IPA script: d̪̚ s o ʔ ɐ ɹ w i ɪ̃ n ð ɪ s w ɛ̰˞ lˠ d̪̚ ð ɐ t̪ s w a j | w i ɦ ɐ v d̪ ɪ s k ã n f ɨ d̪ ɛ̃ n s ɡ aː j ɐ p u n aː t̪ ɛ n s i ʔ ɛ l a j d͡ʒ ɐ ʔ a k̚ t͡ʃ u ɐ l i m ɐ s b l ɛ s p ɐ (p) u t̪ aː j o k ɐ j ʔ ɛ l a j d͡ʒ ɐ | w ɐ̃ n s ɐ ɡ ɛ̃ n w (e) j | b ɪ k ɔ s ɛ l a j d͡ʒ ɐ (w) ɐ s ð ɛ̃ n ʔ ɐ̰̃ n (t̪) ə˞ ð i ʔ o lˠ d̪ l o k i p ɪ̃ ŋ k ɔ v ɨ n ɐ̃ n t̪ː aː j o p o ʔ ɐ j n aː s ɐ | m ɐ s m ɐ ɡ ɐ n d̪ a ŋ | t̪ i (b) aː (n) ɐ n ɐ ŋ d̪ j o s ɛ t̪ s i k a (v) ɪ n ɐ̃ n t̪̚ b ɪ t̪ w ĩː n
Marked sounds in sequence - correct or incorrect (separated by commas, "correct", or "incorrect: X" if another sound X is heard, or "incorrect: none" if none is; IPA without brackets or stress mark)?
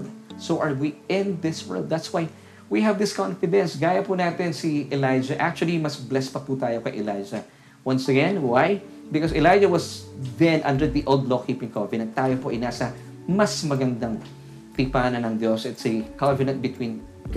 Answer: correct, incorrect: a, correct, incorrect: d̪, incorrect: p, correct, correct